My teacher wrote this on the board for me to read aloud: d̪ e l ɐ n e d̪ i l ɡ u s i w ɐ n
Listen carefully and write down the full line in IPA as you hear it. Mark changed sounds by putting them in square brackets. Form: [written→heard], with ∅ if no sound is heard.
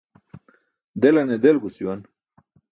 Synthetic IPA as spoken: d̪ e l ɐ n e d̪ [i→e] l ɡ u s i w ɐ n

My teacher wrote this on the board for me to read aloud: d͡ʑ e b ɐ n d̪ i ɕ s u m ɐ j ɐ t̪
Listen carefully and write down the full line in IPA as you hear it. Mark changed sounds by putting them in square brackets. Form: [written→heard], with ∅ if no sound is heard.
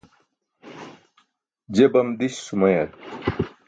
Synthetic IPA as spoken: d͡ʑ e b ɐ [n→m] d̪ i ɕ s u m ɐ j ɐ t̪

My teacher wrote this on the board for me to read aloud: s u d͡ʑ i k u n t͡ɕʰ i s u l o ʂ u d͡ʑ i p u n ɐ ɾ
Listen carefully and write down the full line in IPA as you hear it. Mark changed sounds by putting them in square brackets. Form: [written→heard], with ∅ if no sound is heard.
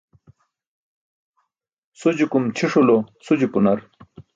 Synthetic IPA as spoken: s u d͡ʑ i k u [n→m] t͡ɕʰ i [s→ʂ] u l o [ʂ→s] u d͡ʑ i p u n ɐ ɾ

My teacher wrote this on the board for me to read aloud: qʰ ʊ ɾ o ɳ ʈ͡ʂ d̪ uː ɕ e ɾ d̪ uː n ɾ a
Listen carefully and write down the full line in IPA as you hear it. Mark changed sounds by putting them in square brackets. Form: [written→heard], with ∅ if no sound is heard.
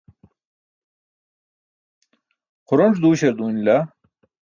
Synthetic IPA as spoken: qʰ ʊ ɾ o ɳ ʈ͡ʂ d̪ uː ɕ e ɾ d̪ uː n [ɾ→l] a

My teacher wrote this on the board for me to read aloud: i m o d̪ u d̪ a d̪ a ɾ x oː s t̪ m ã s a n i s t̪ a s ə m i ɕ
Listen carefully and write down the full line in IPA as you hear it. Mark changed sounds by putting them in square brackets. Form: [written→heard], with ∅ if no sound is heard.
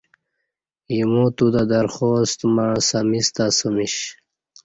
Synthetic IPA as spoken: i m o [d̪→t̪] u d̪ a d̪ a ɾ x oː s t̪ m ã s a [n→m] i s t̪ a s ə m i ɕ

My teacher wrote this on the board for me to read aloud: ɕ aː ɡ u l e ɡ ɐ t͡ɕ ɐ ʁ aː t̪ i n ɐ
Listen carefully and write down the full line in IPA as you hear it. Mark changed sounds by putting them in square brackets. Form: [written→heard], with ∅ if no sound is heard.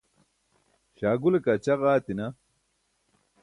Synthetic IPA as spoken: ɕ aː ɡ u l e [ɡ→k] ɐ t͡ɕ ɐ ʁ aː t̪ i n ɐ

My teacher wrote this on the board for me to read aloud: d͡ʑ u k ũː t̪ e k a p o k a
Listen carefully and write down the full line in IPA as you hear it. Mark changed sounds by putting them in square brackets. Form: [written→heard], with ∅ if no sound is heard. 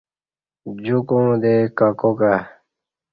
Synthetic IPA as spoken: d͡ʑ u k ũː [t̪→d̪] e k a [p→k] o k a

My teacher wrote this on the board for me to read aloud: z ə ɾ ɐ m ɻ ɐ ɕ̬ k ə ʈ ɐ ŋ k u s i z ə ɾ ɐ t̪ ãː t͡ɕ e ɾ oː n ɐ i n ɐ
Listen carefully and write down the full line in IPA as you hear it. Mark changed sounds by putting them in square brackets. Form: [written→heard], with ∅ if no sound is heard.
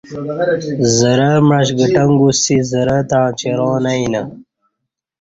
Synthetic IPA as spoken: z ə ɾ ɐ m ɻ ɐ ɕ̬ [k→ɡ] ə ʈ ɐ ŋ [k→ɡ] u s i z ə ɾ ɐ t̪ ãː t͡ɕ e ɾ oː n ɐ i n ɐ

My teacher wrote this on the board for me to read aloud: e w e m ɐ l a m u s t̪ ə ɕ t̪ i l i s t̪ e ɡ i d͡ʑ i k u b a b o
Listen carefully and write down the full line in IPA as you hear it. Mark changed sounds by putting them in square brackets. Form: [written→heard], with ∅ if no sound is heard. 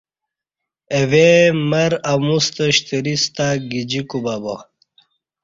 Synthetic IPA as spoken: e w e m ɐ [l→ɾ] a m u s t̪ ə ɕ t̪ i [l→ɾ] i s t̪ [e→a] ɡ i d͡ʑ i k u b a b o

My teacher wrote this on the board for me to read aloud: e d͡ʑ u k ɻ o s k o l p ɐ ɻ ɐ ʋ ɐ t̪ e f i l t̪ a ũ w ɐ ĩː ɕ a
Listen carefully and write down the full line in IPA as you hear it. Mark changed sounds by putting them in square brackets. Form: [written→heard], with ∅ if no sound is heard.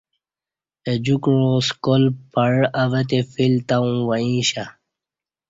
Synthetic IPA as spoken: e d͡ʑ u k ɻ o s k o l p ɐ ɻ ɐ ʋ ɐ t̪ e f i l t̪ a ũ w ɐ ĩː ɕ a

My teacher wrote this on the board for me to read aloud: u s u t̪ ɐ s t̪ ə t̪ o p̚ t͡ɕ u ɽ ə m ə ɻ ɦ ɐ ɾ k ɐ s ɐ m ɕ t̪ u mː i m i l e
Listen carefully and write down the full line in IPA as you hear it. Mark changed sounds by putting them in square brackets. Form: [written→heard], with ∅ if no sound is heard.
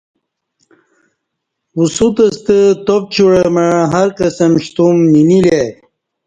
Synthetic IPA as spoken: u s u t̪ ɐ s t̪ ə t̪ o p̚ t͡ɕ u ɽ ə m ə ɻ ɦ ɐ ɾ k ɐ s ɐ m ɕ t̪ u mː i [m→n] i l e

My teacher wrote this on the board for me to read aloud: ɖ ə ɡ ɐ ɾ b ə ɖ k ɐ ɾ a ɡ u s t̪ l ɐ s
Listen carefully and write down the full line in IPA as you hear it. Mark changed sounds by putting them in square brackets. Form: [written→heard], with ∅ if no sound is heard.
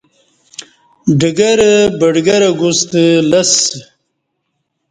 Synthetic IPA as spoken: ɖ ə ɡ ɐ ɾ b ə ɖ [k→ɡ] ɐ ɾ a ɡ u s t̪ l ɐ s

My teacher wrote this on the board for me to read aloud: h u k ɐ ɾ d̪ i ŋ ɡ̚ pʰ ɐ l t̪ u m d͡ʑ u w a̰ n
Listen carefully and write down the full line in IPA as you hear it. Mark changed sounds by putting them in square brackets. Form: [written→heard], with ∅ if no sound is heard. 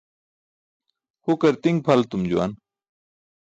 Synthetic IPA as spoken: h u k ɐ ɾ [d̪→t̪] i ŋ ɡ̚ pʰ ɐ l t̪ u m d͡ʑ u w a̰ n

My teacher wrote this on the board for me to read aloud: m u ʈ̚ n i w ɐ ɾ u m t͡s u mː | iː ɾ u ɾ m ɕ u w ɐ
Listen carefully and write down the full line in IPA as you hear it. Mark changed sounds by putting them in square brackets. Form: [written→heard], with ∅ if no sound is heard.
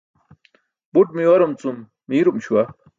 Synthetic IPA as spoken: [m→b] u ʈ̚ [n→m] i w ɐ ɾ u m t͡s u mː | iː ɾ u [ɾ→∅] m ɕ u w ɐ

